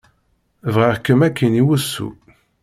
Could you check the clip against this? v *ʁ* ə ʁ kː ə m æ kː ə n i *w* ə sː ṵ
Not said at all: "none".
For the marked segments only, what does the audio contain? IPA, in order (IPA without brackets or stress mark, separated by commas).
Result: ʁ, w